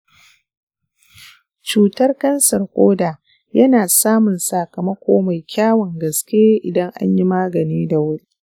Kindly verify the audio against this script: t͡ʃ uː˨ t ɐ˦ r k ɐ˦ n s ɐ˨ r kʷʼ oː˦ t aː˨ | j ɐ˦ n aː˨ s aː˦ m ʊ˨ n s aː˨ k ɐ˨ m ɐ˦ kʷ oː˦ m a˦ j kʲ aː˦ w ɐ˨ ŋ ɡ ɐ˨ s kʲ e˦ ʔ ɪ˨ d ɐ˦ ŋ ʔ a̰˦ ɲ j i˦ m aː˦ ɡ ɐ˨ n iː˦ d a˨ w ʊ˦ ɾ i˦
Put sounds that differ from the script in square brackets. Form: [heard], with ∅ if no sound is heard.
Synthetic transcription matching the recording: t͡ʃ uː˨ t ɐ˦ r k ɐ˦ n s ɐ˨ r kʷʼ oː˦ [d] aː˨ | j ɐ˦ n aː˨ s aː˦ m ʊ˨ n s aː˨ k ɐ˨ m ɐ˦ kʷ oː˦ m [a˨] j kʲ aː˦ w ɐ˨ ŋ ɡ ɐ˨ s kʲ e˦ ʔ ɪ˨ d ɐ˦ ŋ ʔ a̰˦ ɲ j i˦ m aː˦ ɡ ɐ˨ n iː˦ d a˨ w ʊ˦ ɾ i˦